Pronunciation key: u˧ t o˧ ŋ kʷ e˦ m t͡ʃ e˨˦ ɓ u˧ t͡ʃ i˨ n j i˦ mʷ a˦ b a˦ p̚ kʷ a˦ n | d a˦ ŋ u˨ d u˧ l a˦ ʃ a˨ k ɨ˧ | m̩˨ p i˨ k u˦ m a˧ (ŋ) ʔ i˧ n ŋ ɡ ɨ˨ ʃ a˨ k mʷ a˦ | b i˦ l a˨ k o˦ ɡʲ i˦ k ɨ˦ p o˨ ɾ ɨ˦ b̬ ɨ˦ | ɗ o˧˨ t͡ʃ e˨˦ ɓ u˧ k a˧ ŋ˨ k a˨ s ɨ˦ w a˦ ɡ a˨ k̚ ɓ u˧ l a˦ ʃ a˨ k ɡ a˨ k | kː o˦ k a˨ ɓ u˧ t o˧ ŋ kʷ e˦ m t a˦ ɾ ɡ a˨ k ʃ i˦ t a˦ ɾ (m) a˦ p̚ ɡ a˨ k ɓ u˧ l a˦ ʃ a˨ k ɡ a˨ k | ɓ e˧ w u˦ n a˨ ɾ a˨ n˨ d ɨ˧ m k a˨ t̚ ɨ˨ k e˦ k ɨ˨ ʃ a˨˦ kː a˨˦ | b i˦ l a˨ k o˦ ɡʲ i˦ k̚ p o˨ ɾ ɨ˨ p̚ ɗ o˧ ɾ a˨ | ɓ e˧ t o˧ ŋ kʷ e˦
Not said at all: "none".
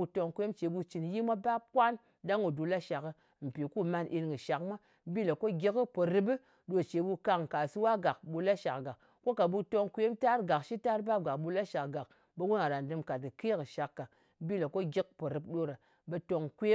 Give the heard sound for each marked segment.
n, b

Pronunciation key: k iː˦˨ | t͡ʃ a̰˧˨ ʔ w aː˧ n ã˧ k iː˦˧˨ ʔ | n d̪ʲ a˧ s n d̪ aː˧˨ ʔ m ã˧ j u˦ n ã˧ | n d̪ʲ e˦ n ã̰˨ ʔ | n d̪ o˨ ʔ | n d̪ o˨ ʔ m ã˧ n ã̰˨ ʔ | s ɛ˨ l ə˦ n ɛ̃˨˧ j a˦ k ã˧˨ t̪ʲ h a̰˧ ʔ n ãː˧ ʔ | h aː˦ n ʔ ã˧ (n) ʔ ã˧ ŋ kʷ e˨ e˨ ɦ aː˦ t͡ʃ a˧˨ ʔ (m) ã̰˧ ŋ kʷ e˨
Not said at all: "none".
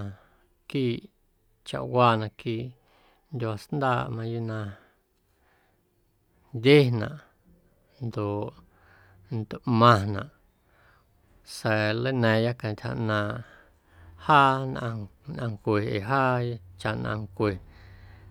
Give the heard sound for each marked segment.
n, n

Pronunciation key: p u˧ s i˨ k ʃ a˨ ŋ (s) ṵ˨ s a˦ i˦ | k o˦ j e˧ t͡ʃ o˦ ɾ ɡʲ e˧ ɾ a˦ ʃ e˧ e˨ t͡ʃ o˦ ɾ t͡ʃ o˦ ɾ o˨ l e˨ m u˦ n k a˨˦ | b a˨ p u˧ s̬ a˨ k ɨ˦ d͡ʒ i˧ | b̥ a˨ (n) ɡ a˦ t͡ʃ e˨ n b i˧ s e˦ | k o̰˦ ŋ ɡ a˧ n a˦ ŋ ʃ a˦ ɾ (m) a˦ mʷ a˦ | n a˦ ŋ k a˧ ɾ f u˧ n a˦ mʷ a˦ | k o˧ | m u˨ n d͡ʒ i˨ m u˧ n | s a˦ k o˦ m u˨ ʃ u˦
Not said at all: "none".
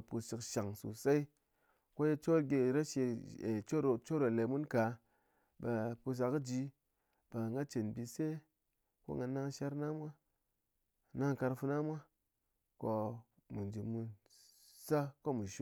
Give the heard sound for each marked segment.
s, ŋ, n

